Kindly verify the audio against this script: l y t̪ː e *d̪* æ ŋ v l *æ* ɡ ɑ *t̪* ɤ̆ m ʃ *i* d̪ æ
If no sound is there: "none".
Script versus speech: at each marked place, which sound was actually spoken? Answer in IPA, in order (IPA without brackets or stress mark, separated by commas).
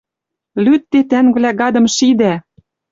t̪, æ, d̪, i